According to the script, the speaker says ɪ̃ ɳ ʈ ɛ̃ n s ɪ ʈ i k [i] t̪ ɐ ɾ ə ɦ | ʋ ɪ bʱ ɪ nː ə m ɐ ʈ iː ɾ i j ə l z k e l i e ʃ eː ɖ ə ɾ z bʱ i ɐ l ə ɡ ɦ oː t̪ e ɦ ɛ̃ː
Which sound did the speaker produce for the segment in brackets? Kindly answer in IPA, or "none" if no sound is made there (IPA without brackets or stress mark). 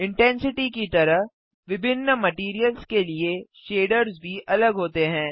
i